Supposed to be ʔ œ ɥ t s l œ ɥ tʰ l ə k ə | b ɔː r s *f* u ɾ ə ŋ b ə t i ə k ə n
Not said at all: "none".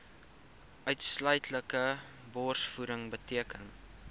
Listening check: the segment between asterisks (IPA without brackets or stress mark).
f